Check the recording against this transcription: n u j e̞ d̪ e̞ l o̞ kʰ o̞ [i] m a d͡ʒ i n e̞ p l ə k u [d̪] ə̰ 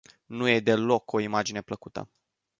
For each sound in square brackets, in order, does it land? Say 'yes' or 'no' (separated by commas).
yes, no